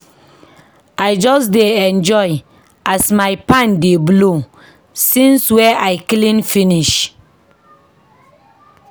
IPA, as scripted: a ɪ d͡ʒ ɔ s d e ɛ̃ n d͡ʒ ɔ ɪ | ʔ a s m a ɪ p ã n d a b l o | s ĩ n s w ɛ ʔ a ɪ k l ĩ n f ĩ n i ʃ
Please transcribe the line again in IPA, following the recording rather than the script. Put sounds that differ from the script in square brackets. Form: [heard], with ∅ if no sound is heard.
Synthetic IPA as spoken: a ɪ d͡ʒ ɔ s d e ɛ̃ n d͡ʒ ɔ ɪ | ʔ a s m a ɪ p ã n d [e] b l o | s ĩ n s w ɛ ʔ a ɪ k l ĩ n f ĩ n i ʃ